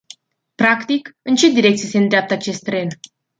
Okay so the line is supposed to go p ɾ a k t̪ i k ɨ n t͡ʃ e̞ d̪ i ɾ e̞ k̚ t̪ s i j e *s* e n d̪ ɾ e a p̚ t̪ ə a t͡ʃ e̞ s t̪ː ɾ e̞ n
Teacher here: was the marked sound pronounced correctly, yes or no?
yes